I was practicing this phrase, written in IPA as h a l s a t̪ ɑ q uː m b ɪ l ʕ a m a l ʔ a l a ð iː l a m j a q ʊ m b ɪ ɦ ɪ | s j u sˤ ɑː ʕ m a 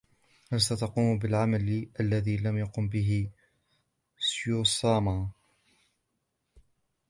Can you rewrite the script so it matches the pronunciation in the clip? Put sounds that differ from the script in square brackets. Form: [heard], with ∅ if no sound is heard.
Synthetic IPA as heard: h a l s a t̪ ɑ q uː m b ɪ l ʕ a m a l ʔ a [lː] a ð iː l a m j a q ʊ m b ɪ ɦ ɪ | s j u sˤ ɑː [∅] m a

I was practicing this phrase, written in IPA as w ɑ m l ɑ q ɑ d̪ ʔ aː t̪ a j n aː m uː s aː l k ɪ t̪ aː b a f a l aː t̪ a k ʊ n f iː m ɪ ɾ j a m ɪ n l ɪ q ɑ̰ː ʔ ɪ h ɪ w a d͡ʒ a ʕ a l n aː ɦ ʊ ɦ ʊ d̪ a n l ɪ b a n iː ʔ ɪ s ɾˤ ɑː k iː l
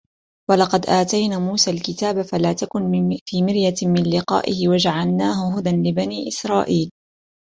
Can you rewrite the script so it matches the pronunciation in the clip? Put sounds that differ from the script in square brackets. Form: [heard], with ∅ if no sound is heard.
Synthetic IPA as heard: w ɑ [∅] l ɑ q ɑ d̪ ʔ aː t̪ a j n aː m uː s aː l k ɪ t̪ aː b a f a l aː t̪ a k ʊ n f iː m ɪ ɾ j a m ɪ n l ɪ q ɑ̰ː ʔ ɪ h ɪ w a d͡ʒ a ʕ a l n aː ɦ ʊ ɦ ʊ d̪ a n l ɪ b a n iː ʔ ɪ s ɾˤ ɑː [ʔ] iː l

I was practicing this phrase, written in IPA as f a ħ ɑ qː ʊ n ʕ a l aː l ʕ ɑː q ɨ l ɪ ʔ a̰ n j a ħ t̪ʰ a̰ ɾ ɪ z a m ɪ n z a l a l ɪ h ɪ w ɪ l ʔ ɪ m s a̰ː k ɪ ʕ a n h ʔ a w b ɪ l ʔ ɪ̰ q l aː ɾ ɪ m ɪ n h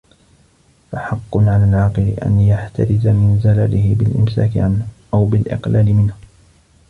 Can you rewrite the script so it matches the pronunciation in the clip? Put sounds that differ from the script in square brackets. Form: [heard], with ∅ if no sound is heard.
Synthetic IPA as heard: f a ħ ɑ qː ʊ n ʕ a l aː l ʕ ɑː q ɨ l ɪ ʔ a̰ n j a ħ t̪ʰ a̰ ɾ ɪ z a m ɪ n z a l a l ɪ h ɪ [b] ɪ l ʔ ɪ m s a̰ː k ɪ ʕ a n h ʔ a w b ɪ l ʔ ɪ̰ q l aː [l] ɪ m ɪ n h

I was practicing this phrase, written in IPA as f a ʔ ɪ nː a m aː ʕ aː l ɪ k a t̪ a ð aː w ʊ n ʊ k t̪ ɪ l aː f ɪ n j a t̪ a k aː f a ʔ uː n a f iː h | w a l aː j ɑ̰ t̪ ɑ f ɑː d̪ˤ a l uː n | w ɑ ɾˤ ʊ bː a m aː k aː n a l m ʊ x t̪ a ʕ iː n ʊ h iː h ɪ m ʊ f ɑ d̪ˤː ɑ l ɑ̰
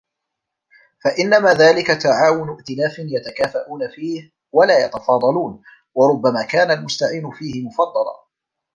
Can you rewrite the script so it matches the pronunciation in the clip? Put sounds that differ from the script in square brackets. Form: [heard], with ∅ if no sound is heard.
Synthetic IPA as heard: f a ʔ ɪ nː a m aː [ð] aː l ɪ k a t̪ a [ʕ] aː w ʊ n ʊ [ʔ] t̪ ɪ l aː f ɪ n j a t̪ a k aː f a ʔ uː n a f iː h | w a l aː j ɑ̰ t̪ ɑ f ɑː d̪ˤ [ɑ] l uː n | w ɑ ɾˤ ʊ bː a m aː k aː n a l m ʊ [s] t̪ a ʕ iː n ʊ [f] iː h ɪ m ʊ f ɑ d̪ˤː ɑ l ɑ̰

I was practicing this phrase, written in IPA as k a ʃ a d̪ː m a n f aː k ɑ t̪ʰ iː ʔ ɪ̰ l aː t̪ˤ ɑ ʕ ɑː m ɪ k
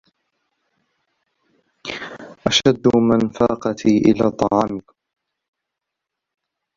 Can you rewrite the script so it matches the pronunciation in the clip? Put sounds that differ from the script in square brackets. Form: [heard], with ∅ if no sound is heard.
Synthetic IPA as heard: [ʔ] a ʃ a d̪ː m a n f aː [q] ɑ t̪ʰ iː ʔ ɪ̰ l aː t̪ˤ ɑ ʕ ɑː m ɪ k

